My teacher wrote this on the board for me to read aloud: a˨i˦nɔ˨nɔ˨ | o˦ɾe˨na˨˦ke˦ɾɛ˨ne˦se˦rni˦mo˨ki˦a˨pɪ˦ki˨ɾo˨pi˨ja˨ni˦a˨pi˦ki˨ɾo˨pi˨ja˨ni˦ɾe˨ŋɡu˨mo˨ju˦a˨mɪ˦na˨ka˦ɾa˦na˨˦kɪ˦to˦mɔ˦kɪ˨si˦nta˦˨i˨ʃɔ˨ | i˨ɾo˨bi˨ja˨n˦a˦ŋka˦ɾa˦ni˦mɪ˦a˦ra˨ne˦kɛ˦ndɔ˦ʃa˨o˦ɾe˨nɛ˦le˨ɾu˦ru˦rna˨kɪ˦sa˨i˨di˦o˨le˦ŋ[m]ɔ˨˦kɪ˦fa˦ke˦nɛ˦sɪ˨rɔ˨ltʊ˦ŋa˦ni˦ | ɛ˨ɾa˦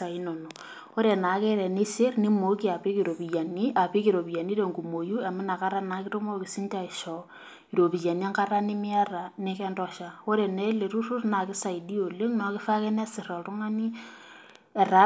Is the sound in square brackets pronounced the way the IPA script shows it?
no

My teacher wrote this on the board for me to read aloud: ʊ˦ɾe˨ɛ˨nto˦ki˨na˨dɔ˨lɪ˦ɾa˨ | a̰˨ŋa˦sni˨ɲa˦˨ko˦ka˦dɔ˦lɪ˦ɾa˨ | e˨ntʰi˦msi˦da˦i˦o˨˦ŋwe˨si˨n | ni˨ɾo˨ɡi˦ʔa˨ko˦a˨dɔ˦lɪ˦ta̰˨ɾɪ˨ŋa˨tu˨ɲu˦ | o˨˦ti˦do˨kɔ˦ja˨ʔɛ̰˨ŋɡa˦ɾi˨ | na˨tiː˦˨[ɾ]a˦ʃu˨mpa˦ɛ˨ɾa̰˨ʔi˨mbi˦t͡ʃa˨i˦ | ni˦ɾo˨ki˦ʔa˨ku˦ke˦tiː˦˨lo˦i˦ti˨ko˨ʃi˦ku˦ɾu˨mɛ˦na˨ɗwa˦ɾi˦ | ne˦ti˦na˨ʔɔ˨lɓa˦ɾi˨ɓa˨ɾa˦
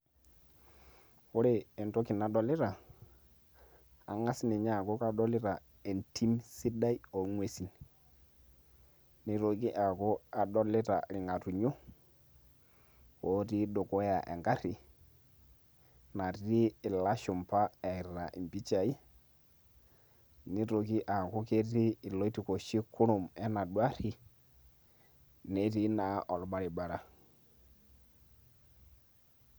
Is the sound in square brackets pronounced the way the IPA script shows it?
no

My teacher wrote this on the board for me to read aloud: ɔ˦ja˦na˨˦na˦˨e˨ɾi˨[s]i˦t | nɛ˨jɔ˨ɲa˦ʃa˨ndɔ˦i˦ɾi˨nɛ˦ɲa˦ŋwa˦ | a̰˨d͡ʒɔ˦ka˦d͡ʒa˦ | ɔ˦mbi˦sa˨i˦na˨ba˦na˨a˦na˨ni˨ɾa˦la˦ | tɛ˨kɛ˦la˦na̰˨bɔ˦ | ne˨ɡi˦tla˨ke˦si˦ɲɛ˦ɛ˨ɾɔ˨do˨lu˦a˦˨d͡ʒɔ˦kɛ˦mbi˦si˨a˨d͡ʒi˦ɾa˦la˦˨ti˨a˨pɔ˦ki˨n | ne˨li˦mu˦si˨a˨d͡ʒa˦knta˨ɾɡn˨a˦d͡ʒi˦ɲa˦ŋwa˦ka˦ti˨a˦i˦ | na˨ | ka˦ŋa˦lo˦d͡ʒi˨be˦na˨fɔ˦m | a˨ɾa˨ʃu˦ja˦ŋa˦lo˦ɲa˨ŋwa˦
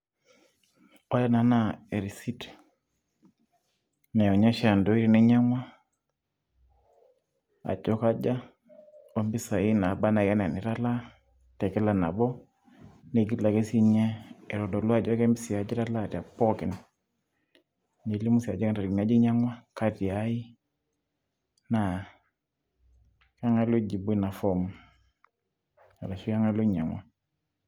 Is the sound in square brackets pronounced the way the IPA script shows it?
yes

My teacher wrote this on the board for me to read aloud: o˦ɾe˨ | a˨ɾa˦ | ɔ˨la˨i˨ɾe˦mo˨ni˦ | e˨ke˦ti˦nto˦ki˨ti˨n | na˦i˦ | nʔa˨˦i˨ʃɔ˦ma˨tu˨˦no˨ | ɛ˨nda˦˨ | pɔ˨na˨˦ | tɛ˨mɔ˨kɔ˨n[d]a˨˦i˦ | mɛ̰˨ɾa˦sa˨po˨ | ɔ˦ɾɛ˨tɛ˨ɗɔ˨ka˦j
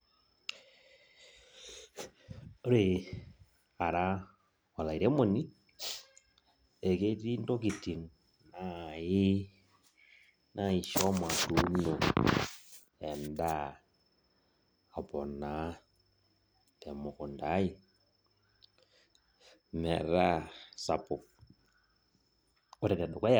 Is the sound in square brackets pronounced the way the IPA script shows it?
yes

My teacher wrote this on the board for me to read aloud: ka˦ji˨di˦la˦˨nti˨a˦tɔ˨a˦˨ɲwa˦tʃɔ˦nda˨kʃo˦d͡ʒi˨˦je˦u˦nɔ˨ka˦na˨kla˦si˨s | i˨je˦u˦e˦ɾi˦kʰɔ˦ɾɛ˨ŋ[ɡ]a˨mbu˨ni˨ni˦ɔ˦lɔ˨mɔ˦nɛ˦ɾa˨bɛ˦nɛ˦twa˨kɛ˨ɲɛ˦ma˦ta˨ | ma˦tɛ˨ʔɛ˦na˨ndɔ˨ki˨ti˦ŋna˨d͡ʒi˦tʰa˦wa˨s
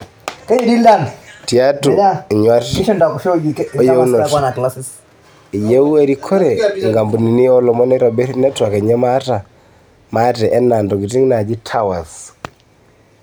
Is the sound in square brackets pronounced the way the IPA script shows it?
yes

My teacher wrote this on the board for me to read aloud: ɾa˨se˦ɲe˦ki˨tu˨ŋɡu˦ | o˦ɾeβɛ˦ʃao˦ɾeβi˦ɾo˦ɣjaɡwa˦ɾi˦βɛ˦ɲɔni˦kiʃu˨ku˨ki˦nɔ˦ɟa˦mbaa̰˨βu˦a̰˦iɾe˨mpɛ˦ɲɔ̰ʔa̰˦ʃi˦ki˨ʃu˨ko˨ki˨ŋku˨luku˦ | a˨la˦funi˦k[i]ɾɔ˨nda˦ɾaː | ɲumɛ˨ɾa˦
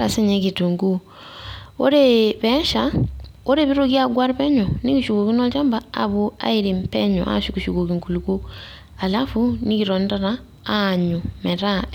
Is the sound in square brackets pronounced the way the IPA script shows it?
yes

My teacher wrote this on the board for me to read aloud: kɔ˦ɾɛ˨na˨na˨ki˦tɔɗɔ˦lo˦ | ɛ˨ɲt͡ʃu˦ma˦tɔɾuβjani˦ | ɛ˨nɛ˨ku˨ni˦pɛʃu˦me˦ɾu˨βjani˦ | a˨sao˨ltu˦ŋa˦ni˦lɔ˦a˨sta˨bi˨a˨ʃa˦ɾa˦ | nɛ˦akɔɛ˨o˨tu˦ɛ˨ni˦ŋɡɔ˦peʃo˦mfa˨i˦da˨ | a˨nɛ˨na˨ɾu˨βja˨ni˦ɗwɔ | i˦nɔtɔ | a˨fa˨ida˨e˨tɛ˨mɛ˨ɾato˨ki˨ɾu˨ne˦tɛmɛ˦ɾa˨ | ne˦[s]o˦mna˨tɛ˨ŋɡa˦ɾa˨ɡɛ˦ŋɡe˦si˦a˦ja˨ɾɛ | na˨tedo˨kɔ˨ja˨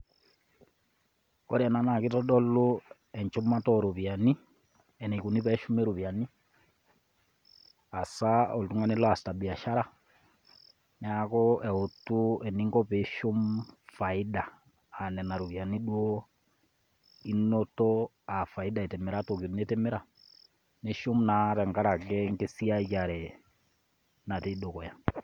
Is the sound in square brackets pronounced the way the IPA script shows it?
no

